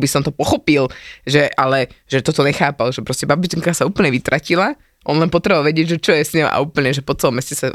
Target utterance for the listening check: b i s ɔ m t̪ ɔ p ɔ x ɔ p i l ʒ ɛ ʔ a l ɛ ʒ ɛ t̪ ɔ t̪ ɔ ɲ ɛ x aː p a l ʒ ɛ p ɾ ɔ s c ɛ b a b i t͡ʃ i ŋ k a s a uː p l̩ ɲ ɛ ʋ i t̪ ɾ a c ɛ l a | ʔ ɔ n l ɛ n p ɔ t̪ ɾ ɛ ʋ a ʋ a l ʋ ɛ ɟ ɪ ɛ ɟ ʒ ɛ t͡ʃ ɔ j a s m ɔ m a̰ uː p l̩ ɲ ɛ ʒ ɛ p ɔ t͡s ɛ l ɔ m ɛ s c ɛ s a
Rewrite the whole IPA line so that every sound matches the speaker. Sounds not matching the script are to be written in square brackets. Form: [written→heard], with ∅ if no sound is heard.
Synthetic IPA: b i s ɔ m t̪ ɔ p ɔ x ɔ p i l ʒ ɛ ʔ a l ɛ ʒ ɛ t̪ ɔ t̪ ɔ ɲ ɛ x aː p a l ʒ ɛ p ɾ ɔ s c ɛ b a b i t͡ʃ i ŋ k a s a uː p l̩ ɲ ɛ ʋ i t̪ ɾ a c [ɛ→i] l a | ʔ ɔ n l ɛ n p ɔ t̪ ɾ ɛ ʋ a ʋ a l ʋ ɛ ɟ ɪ ɛ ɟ ʒ ɛ t͡ʃ ɔ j [a→ɛ] s [m→ɲ] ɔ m a̰ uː p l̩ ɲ ɛ ʒ ɛ p ɔ t͡s ɛ l ɔ m ɛ s c ɛ s a